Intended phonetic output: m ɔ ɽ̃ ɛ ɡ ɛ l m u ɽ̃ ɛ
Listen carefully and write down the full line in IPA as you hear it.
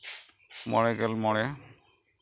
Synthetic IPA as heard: m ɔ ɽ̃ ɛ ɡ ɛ l m ɔ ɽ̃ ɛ